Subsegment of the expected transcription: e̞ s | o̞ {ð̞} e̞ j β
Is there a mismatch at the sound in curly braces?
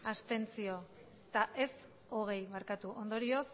yes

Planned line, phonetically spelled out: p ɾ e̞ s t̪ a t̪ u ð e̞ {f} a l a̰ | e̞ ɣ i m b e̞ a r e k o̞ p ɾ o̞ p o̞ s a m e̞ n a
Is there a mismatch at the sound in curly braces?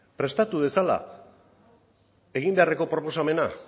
yes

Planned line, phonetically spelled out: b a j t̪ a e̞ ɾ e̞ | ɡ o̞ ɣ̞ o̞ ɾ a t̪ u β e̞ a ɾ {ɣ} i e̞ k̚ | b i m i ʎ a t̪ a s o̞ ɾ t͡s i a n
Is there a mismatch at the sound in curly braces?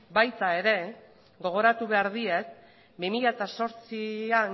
yes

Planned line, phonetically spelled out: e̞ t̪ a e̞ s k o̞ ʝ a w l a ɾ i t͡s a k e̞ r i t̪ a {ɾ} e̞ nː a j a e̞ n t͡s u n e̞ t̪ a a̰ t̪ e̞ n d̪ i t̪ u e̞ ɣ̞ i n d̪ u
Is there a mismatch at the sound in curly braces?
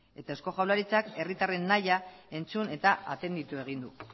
yes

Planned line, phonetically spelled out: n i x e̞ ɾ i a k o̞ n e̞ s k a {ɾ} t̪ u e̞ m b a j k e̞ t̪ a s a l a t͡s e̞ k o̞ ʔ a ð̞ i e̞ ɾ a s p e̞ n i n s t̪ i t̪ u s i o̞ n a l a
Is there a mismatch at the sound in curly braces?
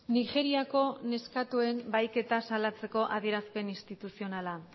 yes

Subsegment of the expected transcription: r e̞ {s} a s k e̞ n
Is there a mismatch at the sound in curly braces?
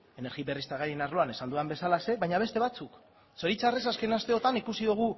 no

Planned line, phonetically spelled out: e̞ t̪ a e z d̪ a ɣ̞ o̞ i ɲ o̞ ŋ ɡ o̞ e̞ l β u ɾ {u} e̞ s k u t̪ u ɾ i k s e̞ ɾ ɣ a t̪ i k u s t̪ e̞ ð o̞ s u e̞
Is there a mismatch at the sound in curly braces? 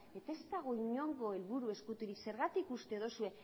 no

